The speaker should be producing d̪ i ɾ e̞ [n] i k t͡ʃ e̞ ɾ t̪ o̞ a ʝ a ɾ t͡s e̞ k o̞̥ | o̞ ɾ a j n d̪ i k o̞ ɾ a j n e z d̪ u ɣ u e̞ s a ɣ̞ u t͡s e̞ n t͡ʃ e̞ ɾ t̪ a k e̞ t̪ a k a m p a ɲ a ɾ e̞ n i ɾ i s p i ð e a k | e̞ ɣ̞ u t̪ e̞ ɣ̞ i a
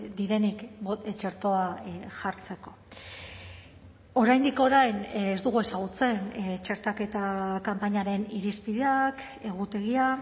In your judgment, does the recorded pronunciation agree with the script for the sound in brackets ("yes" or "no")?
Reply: yes